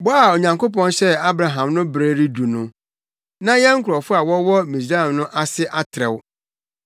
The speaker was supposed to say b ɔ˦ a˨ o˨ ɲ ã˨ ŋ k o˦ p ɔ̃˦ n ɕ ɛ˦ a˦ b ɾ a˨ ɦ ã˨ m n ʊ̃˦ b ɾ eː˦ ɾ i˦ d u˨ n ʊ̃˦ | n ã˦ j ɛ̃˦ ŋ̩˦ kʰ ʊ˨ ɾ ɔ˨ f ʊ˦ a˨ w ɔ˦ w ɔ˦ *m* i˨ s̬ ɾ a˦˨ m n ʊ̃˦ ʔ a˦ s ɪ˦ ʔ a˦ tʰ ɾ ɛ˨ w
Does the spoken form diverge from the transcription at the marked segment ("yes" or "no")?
no